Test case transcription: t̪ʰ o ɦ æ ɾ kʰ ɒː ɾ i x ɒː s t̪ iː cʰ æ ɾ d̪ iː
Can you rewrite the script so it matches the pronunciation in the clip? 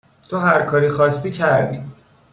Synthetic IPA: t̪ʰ o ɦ æ ɾ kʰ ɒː ɾ i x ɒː s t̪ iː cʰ æ ɾ d̪ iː